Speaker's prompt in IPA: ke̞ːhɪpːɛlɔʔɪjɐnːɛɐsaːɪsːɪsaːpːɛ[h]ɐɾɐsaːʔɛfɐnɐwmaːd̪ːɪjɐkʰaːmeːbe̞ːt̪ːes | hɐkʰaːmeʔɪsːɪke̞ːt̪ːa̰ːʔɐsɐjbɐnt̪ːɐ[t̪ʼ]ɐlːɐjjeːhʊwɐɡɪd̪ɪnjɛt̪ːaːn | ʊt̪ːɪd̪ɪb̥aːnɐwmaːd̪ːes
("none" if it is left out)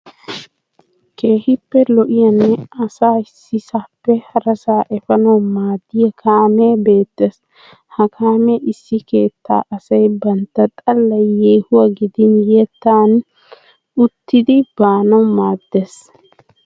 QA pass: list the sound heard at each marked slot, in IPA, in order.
h, t̪ʼ

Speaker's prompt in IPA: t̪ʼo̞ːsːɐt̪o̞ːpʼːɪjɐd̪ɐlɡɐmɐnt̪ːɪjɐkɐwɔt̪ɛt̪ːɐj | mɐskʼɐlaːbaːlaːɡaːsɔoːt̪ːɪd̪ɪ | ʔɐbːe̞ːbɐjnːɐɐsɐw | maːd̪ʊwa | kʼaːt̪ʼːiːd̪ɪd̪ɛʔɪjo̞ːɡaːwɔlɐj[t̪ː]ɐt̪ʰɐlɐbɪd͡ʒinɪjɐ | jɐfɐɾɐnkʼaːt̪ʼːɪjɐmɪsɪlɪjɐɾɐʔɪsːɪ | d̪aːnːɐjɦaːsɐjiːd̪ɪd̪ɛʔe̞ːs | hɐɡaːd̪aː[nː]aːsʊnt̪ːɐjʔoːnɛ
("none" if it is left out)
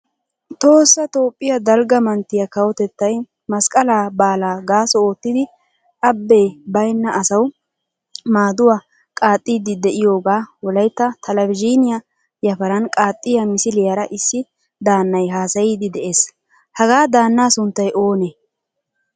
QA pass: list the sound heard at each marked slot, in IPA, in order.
t̪ː, nː

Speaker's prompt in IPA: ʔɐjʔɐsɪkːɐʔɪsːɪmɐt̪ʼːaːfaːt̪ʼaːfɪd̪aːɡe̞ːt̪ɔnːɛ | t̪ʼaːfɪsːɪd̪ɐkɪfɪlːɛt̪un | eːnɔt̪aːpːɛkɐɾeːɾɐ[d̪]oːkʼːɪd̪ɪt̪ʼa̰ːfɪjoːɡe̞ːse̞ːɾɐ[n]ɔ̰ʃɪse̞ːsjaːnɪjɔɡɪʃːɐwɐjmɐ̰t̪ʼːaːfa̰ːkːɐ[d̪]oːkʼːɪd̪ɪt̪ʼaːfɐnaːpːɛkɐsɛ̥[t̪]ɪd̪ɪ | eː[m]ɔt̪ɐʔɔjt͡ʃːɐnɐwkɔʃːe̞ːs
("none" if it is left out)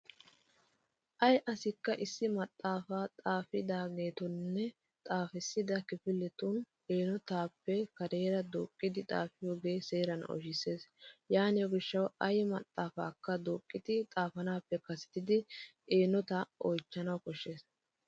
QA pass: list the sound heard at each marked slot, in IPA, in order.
d̪, n, d̪, t̪, n

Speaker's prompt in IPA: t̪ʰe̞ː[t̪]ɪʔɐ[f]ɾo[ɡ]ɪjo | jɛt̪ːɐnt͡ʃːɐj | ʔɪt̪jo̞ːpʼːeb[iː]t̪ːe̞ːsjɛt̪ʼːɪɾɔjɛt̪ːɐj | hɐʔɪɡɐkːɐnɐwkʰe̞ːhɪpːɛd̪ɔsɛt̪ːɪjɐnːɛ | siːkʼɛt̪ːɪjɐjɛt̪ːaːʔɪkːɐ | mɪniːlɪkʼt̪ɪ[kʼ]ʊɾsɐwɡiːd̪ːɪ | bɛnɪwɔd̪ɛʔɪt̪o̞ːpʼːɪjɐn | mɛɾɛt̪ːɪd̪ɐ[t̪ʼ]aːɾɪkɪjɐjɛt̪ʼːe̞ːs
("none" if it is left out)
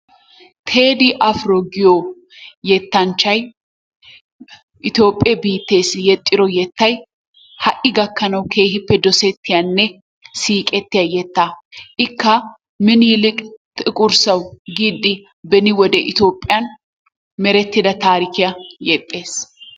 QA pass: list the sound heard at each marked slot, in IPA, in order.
d̪, f, ɡ, iː, kʼ, t̪

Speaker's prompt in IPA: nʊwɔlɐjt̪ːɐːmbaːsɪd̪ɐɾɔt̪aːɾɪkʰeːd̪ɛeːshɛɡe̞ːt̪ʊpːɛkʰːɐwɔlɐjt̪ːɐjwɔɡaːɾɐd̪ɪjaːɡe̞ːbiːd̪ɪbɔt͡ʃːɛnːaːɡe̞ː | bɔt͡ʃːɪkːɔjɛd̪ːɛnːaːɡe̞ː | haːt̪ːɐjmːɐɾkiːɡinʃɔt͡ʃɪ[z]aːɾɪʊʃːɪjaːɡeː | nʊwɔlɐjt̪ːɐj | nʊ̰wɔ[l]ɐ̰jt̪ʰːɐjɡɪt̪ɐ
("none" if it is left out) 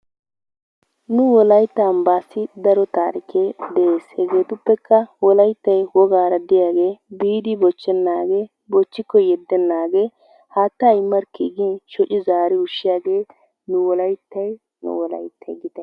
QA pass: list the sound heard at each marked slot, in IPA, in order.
z, l

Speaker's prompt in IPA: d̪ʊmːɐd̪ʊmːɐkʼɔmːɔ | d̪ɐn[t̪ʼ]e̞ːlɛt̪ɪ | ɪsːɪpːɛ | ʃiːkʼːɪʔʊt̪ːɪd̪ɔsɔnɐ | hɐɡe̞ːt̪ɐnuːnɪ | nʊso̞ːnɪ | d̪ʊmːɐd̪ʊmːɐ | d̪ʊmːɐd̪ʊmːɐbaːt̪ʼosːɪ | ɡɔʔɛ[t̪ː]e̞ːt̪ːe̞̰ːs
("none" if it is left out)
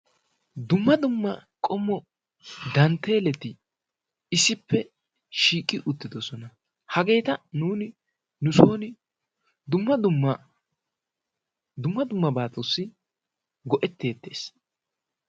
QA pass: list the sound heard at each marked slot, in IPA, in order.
t̪, t̪ː

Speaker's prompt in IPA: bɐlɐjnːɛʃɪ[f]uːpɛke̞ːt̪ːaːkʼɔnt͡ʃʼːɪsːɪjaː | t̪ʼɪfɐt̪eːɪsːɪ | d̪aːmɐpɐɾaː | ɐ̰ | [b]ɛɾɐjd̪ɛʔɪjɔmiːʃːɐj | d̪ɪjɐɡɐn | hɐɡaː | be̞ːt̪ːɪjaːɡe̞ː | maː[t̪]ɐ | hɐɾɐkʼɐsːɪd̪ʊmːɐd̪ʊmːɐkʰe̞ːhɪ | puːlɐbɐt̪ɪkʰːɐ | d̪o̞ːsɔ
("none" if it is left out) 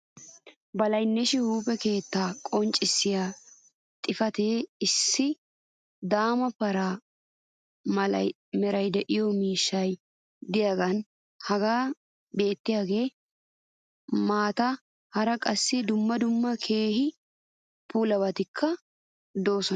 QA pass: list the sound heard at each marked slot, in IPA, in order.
h, m, t̪

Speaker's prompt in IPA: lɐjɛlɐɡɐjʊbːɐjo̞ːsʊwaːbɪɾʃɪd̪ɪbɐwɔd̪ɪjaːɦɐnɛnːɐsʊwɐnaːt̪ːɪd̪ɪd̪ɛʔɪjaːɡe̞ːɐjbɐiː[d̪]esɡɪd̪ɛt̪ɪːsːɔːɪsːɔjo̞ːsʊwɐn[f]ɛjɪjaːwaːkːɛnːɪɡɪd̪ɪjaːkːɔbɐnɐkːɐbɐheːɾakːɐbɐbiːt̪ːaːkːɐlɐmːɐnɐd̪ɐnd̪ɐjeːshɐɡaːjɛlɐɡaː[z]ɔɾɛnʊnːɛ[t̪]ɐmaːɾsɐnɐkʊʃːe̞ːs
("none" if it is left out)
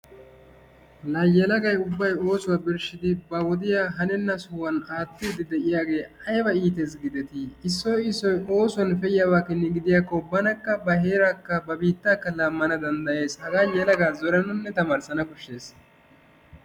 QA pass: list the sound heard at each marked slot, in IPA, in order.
t̪, f, z, t̪

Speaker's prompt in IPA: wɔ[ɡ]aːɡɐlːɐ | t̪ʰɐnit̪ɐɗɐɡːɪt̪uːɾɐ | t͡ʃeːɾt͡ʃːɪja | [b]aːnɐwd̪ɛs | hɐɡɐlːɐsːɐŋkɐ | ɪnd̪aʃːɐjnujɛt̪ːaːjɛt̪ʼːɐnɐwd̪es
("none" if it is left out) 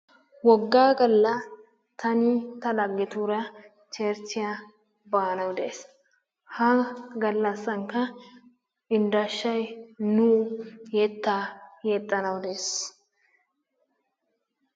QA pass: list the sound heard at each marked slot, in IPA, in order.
ɡː, b

